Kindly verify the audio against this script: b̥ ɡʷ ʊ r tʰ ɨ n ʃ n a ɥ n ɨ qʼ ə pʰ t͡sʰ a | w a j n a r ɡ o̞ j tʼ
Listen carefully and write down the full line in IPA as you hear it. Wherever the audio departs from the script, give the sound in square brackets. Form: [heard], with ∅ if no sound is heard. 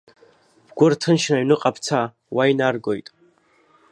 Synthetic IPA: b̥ ɡʷ ʊ r tʰ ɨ n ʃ n a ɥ n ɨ qʼ [a] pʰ t͡sʰ a | w a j n a r ɡ o̞ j tʼ